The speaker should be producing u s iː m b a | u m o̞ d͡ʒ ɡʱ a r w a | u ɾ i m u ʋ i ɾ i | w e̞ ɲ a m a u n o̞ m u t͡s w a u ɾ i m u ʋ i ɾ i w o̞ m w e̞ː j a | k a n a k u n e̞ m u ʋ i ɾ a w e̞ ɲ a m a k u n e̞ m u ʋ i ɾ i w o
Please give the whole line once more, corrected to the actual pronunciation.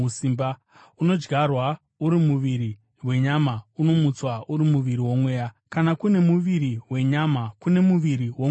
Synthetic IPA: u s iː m b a | u n o̞ d͡ʒ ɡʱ a r w a | u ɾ i m u ʋ i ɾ i | w e̞ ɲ a m a u n o̞ m u t͡s w a u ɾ i m u ʋ i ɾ i w o̞ m w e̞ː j a | k a n a k u n e̞ m u ʋ i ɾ i w e̞ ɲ a m a k u n e̞ m u ʋ i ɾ i w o

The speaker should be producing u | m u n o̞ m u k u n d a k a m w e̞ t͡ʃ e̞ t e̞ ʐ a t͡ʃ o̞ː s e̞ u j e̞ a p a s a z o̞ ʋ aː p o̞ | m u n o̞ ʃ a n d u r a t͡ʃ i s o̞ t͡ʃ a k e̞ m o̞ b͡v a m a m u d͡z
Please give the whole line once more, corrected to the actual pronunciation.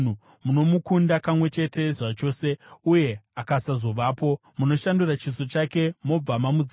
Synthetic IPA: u | m u n o̞ m u k u n d a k a m w e̞ t͡ʃ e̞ t e̞ ʐ a t͡ʃ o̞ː s e̞ u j e̞ a k a s a z o̞ ʋ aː p o̞ | m u n o̞ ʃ a n d u r a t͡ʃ i s o̞ t͡ʃ a k e̞ m o̞ b͡v a m a m u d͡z

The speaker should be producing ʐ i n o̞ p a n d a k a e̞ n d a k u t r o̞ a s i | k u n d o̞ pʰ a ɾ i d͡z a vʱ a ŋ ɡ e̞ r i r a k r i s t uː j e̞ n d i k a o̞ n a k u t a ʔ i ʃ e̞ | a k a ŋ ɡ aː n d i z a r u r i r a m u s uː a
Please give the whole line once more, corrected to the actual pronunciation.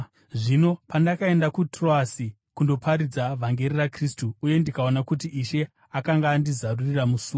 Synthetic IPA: ʐ i n o̞ p a n d a k a e̞ n d a k u t r o̞ a s i | k u n d o̞ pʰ a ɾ i d͡z a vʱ a ŋ ɡ e̞ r i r a k r i s t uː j e̞ n d i k a o̞ n a k u t i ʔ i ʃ e̞ | a k a ŋ ɡ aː n d i z a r u r i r a m u s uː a

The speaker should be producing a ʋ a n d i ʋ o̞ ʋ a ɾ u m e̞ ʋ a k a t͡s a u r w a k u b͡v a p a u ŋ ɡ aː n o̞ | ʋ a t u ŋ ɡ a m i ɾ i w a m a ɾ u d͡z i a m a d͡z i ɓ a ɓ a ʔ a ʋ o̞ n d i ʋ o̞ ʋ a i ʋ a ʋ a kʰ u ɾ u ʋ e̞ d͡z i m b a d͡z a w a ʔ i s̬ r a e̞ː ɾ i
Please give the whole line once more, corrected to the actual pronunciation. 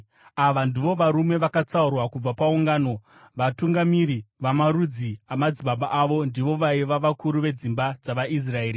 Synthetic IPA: a ʋ a n d i ʋ o̞ ʋ a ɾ u m e̞ ʋ a k a t͡s a u r w a k u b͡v a p a u ŋ ɡ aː n o̞ | ʋ a t u ŋ ɡ a m i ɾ i ʋ a m a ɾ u d͡z i a m a d͡z i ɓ a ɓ a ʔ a ʋ o̞ n d i ʋ o̞ ʋ a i ʋ a ʋ a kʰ u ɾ u ʋ e̞ d͡z i m b a d͡z a ʋ a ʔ i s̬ r a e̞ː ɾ i

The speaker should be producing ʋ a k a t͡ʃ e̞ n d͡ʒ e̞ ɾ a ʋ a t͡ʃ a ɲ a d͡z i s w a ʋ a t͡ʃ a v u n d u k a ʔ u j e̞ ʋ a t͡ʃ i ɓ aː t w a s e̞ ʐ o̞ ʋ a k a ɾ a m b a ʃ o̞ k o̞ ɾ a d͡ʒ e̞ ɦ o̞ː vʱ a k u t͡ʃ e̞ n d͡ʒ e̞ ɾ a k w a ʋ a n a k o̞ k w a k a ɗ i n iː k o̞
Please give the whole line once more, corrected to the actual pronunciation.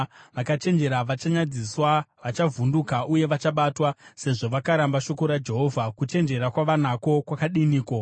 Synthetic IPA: ʋ a k a t͡ʃ e̞ n d͡ʒ e̞ ɾ a ʋ a t͡ʃ a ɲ a d͡z i s w a ʋ a t͡ʃ a v u n d u k a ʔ u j e̞ ʋ a t͡ʃ a ɓ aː t w a s e̞ ʐ o̞ ʋ a k a ɾ a m b a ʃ o̞ k o̞ ɾ a d͡ʒ e̞ ɦ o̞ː vʱ a k u t͡ʃ e̞ n d͡ʒ e̞ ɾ a k w a ʋ a n a k o̞ k w a k a ɗ i n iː k o̞

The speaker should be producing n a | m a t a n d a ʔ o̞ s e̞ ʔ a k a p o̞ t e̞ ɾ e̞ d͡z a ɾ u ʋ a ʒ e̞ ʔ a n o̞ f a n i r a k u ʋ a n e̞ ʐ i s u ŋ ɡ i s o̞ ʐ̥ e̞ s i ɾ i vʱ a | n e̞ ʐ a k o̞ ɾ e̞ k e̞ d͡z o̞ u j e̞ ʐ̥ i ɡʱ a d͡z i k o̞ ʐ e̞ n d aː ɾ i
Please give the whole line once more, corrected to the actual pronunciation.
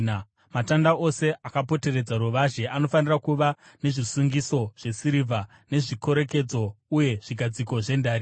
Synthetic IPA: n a | m a t a n d a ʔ o̞ s e̞ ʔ a k a p o̞ t e̞ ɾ e̞ d͡z a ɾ u ʋ a ʒ e̞ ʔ a n o̞ f a n i r a k u ʋ a n e̞ ʐ i s u ŋ ɡ i s o̞ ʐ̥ e̞ s i ɾ i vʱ a | n e̞ ʐ i k o̞ ɾ e̞ k e̞ d͡z o̞ u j e̞ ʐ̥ i ɡʱ a d͡z i k o̞ ʐ e̞ n d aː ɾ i

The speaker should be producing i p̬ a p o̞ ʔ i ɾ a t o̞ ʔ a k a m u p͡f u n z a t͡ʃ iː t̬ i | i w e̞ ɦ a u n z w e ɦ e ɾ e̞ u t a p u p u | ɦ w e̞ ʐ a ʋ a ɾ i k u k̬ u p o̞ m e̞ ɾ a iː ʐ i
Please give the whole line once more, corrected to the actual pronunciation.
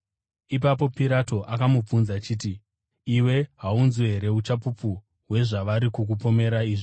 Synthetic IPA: i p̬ a p o̞ p i ɾ a t o̞ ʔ a k a m u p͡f u n z a t͡ʃ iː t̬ i | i w e̞ ɦ a u n z w e ɦ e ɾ e̞ u t͡ʃ a p u p u | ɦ w e̞ ʐ a ʋ a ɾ i k u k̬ u p o̞ m e̞ ɾ a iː ʐ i

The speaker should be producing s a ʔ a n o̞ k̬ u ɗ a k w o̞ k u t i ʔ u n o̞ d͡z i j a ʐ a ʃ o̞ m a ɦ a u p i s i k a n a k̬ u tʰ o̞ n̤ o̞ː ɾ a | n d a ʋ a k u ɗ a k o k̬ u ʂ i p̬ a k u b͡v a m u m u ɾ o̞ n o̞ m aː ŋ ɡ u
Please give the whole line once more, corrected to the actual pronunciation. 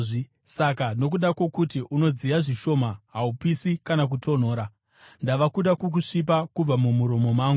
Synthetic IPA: s a k a n o̞ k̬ u ɗ a k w o̞ k u t i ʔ u n o̞ d͡z i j a ʐ i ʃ o̞ m a ɦ a u p i s i k a n a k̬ u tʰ o̞ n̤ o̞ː ɾ a | n d a ʋ a k u ɗ a k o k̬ u ʂ i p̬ a k u b͡v a m u m u ɾ o̞ m o̞ m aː ŋ ɡ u

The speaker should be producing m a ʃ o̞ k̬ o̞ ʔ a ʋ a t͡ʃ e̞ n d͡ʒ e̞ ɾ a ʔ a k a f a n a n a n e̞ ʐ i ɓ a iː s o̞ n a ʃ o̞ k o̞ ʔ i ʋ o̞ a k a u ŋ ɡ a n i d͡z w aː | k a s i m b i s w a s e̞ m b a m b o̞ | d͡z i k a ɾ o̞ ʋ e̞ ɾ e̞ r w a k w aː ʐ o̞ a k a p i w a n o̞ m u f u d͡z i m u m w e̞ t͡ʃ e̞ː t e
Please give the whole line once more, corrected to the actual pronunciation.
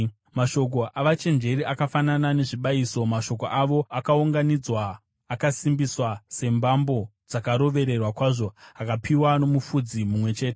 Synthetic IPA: m a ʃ o̞ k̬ o̞ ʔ a ʋ a t͡ʃ e̞ n d͡ʒ e̞ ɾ i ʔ a k a f a n a n a n e̞ ʐ i ɓ a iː s o̞ m a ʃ o̞ k o̞ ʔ a ʋ o̞ a k a u ŋ ɡ a n i d͡z w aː | k a s i m b i s w a s e̞ m b a m b o̞ | d͡z a k a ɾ o̞ ʋ e̞ ɾ e̞ r w a k w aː ʐ o̞ a k a p i w a n o̞ m u f u d͡z i m u m w e̞ t͡ʃ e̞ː t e

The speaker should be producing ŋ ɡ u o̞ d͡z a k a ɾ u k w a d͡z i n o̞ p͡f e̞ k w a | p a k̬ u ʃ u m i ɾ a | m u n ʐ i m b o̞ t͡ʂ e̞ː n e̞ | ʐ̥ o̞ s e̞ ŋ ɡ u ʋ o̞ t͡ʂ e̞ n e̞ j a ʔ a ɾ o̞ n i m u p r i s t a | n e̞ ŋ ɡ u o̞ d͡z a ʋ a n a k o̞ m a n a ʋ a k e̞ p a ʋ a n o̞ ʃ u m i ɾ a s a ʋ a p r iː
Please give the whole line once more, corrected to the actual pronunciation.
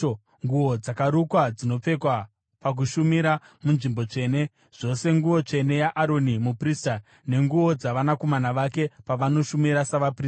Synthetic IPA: ŋ ɡ u o̞ d͡z a k a ɾ u k w a d͡z i n o̞ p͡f e̞ k w a | p a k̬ u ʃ u m i ɾ a | m u n ʐ i m b o̞ t͡ʂ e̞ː n e̞ | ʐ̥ o̞ s e̞ ŋ ɡ u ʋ o̞ t͡ʂ e̞ n e̞ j a ʔ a ɾ o̞ n i m u p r i s t a | n e̞ ŋ ɡ u o̞ d͡z a ʋ a n a k o̞ m a n a ʋ a k e̞ p a ʋ a n o̞ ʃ u m i ɾ a s a ʋ a p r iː

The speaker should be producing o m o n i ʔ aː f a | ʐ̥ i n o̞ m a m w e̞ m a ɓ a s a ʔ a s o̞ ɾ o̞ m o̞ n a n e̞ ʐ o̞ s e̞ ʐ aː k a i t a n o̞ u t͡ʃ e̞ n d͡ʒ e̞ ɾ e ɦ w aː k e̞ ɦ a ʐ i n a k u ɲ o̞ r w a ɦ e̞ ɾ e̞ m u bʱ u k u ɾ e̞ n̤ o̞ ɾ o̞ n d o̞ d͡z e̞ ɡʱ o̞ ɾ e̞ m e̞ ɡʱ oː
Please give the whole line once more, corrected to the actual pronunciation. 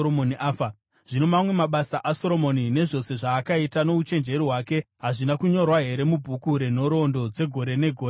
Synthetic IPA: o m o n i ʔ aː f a | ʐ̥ i n o̞ m a m w e̞ m a ɓ a s a ʔ a s o̞ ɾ o̞ m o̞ n i n e̞ ʐ o̞ s e̞ ʐ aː k a i t a n o̞ u t͡ʃ e̞ n d͡ʒ e̞ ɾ i ɦ w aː k e̞ ɦ a ʐ i n a k u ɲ o̞ r w a ɦ e̞ ɾ e̞ m u bʱ u k u ɾ e̞ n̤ o̞ ɾ o̞ n d o̞ d͡z e̞ ɡʱ o̞ ɾ e̞ n e̞ ɡʱ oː

